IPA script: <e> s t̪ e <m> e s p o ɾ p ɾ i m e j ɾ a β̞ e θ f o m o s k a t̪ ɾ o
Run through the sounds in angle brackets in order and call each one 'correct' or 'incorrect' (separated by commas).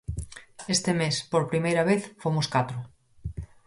correct, correct